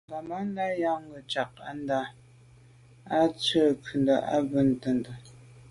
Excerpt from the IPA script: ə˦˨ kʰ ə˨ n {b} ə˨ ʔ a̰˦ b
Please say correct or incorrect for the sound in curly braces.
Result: incorrect